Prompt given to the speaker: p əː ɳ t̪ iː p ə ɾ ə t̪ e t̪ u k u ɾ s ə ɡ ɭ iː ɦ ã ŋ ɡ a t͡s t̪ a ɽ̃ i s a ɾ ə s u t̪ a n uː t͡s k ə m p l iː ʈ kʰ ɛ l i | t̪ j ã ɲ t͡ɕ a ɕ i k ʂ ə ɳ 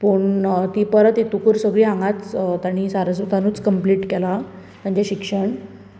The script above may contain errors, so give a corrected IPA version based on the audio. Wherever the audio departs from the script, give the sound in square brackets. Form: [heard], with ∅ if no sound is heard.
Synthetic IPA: p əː ɳ t̪ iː p ə ɾ ə t̪ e t̪ u k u ɾ s ə ɡ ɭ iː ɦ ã ŋ ɡ a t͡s t̪ a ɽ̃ i s a ɾ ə s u t̪ a n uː t͡s k ə m p l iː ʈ [k] ɛ l [a] | t̪ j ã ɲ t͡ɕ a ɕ i k ʂ ə ɳ

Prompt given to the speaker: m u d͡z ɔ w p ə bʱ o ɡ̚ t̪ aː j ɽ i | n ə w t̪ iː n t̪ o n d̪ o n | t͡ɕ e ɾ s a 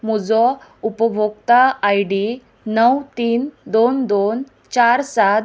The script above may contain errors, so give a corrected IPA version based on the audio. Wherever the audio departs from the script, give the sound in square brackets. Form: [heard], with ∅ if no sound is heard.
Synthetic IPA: m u d͡z ɔ [u] p ə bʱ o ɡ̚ t̪ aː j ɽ i | n ə w t̪ iː n [d̪] o n d̪ o n | t͡ɕ [a] ɾ s a

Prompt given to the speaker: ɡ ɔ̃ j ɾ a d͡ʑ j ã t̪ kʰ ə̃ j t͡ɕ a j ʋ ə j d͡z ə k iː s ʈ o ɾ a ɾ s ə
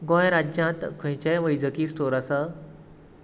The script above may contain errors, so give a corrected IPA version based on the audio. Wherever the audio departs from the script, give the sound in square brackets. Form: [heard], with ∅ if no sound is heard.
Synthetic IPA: ɡ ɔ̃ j ɾ a d͡ʑ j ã t̪ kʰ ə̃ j t͡ɕ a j ʋ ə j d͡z ə k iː s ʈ o ɾ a [∅] s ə

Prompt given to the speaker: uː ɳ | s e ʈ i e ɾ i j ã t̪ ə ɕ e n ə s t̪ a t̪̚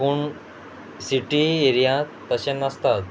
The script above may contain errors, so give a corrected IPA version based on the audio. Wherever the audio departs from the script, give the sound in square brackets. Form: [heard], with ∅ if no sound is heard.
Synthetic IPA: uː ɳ | s [i] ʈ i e ɾ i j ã t̪ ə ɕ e n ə s t̪ a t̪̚

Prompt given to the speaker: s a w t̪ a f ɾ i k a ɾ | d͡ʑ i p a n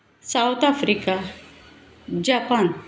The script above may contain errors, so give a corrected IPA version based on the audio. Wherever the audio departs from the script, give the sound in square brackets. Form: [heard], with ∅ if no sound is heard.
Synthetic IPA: s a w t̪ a f ɾ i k a [∅] | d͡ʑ [a] p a n

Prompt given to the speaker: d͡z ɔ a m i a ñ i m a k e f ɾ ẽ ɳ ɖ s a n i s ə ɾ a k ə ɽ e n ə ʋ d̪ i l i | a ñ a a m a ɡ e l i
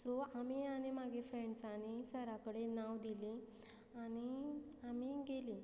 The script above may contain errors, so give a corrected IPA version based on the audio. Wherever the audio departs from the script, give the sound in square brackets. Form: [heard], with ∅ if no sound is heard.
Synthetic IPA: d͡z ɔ a m i a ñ i m a [ɡ] e f ɾ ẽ ɳ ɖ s a n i s ə ɾ a k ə ɽ e n [a] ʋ d̪ i l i | a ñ [i] a m [i] ɡ e l i

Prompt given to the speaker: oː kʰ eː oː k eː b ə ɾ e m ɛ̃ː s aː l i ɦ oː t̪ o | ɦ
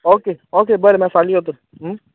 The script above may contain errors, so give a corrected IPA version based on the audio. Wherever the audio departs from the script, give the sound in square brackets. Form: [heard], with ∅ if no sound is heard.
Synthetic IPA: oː [k] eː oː k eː b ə ɾ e m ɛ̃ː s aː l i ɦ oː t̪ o | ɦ

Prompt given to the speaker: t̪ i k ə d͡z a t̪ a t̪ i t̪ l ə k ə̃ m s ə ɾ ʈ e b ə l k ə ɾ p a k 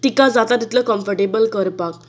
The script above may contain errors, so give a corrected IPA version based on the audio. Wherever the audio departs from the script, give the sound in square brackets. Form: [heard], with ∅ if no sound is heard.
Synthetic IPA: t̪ i k [a] d͡z a t̪ a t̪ i t̪ l ə k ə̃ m [f] ə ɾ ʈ e b ə l k ə ɾ p a k

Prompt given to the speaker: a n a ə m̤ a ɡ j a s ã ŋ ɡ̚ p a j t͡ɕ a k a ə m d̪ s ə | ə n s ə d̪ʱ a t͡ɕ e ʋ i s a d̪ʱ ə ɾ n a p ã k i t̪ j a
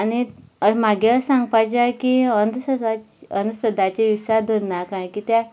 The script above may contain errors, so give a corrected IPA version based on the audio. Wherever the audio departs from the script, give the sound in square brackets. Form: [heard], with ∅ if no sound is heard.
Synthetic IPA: a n [i] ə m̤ a ɡ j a s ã ŋ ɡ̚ p a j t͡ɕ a k [i] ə [n] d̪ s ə | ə n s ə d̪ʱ a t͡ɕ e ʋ i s a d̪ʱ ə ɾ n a [k] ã k i t̪ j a

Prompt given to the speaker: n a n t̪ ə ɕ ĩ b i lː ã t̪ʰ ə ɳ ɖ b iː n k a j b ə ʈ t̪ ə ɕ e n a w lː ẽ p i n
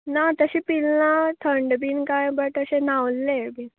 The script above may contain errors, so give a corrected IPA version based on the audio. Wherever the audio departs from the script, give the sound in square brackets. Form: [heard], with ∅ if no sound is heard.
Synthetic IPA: n a [∅] t̪ ə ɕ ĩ [p] i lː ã t̪ʰ ə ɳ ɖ b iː n k a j b ə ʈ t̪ ə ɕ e n a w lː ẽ [b] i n

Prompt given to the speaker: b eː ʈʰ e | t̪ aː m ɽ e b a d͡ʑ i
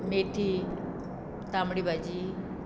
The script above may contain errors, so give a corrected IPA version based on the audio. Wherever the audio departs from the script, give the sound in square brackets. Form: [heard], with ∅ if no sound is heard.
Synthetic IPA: [m] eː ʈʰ [i] | t̪ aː m ɽ [i] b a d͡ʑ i

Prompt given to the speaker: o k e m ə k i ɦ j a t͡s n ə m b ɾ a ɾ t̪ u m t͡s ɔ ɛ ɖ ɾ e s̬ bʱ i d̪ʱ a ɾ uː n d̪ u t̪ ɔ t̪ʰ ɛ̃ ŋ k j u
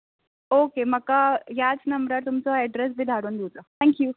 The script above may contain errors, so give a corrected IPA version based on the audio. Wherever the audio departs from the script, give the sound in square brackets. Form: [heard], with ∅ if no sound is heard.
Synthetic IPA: o k e m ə k [a] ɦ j a t͡s n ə m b ɾ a ɾ t̪ u m t͡s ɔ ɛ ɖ ɾ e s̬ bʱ i d̪ʱ a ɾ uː n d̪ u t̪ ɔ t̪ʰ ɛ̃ ŋ k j u

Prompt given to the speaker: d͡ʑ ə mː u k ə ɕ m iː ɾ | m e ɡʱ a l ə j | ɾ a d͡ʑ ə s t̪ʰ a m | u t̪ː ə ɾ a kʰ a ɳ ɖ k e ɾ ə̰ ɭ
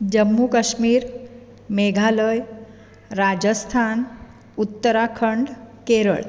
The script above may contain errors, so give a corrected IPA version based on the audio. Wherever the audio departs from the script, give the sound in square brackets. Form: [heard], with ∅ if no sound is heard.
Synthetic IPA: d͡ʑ ə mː u k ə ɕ m iː ɾ | m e ɡʱ a l ə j | ɾ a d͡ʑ ə s t̪ʰ a [n] | u t̪ː ə ɾ a kʰ [ə] ɳ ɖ k e ɾ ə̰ ɭ

